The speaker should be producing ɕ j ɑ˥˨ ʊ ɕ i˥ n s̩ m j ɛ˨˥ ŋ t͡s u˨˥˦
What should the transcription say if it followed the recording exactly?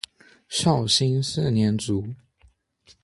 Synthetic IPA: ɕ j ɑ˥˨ ʊ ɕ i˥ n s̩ n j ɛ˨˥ n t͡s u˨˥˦

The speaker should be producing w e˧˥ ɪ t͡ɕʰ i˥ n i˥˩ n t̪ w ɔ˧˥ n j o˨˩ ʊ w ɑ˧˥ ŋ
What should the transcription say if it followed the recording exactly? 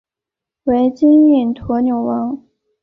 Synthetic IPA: w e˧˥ ɪ t͡ɕ i˥ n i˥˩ n t̪ʰ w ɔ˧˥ n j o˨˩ ʊ w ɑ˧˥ ŋ

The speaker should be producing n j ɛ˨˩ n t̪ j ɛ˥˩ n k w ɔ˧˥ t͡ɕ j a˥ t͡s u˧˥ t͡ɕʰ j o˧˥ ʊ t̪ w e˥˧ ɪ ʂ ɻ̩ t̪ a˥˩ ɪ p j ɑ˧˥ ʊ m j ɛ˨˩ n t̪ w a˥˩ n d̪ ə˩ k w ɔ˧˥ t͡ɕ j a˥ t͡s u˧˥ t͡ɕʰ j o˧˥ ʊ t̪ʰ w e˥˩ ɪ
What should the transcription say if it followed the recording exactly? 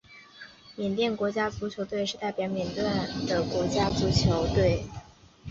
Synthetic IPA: m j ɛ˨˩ n t̪ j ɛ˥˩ n k w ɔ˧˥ t͡ɕ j a˥ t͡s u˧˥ t͡ɕʰ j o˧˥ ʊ t̪ w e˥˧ ɪ ʂ ɻ̩ t̪ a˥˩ ɪ p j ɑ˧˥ ʊ m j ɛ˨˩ n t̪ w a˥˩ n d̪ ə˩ k w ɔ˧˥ t͡ɕ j a˥ t͡s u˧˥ t͡ɕʰ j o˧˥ ʊ t̪ w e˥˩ ɪ

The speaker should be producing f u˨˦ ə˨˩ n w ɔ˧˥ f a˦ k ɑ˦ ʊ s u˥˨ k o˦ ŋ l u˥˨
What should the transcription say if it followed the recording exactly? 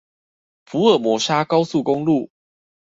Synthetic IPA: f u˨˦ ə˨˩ m w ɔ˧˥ ʂ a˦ k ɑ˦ ʊ s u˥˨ k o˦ ŋ l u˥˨

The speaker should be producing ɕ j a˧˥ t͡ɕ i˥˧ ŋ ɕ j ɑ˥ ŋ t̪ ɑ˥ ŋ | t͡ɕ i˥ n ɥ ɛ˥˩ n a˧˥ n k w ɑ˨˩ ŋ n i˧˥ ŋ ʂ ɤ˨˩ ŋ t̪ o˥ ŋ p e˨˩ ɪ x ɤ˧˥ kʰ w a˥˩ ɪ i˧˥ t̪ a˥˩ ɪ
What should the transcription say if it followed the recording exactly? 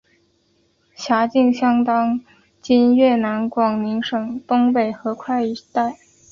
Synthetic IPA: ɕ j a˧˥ t͡ɕ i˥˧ ŋ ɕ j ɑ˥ ŋ t̪ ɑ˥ ŋ | t͡ɕ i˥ n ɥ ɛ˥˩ n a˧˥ n k w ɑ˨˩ ŋ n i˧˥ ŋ ʂ ɤ˨˩ ŋ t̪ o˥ ŋ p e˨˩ ɪ x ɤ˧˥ kʰ w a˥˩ ɪ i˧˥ t̪ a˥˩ ɪ

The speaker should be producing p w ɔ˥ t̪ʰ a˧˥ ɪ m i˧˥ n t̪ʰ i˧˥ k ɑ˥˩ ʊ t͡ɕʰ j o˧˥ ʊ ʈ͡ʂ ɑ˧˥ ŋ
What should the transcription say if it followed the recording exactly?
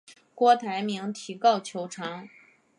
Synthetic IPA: k w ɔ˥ t̪ʰ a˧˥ ɪ m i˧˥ ŋ t̪ʰ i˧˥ k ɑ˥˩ ʊ t͡ɕʰ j o˧˥ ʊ ʈ͡ʂʰ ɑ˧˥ ŋ

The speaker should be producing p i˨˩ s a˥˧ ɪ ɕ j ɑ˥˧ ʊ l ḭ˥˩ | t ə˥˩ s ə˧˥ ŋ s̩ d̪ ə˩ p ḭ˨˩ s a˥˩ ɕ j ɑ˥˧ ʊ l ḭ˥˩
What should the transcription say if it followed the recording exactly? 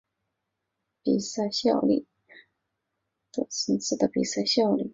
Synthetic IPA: p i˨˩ s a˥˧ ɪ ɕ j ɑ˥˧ ʊ l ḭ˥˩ | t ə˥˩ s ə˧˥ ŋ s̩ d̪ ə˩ p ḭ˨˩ s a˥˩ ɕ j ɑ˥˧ ʊ l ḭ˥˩

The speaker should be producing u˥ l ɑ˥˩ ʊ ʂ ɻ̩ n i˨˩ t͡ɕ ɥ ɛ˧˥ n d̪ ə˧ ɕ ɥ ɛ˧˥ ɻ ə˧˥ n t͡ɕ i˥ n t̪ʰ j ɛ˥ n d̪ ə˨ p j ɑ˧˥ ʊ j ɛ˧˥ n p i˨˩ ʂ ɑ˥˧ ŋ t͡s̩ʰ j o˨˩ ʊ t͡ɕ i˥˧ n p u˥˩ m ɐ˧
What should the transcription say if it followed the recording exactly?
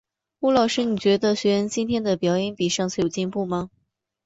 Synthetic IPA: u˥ l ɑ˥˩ ʊ ʂ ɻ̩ n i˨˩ t͡ɕ ɥ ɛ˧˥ d̪ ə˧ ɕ ɥ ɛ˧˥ ɻ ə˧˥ n t͡ɕ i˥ n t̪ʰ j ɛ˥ n d̪ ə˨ p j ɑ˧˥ ʊ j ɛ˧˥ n p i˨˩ ʂ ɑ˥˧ ŋ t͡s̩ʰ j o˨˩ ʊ t͡ɕ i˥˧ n p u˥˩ m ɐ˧

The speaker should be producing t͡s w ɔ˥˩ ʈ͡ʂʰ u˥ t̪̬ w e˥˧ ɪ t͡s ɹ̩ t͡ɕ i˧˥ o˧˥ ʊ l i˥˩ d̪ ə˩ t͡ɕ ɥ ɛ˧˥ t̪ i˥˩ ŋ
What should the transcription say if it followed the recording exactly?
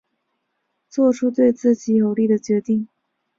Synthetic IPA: t͡s w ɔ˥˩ ʈ͡ʂʰ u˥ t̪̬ w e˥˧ ɪ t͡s ɹ̩ t͡ɕ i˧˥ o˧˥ ʊ l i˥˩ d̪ ə˩ t͡ɕ ɥ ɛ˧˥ t̪ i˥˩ ŋ

